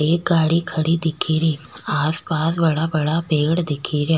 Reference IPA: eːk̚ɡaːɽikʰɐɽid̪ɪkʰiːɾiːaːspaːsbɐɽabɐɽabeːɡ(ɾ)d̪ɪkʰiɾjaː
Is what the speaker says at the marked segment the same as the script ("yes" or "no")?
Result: no